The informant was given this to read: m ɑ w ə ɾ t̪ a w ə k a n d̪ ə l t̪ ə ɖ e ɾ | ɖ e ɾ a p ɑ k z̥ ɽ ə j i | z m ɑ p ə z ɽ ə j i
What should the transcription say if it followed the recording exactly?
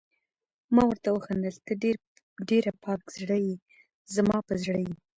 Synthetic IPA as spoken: m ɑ w ə ɾ t̪ a w ə x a n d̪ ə l t̪ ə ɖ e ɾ | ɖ e ɾ a p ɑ k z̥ ɽ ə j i | z m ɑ p ə z ɽ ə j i